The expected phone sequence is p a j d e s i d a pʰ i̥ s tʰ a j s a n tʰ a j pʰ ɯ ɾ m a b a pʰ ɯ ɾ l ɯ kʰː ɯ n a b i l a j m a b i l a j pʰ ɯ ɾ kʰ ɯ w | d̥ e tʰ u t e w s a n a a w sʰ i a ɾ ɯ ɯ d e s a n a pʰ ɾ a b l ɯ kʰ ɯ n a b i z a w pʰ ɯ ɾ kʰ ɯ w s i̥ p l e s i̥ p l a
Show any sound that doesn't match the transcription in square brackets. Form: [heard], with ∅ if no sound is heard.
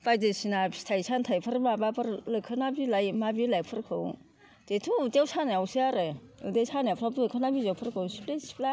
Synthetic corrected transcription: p a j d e s i [n] a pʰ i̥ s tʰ a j s a n tʰ a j pʰ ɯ ɾ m a b a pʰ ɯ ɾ l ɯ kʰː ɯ n a b i l a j m a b i l a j pʰ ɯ ɾ kʰ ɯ w | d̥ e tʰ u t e w s a n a a w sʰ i a ɾ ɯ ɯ d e s a n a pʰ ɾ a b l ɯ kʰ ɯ n a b i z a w pʰ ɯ ɾ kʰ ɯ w s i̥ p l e s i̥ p l a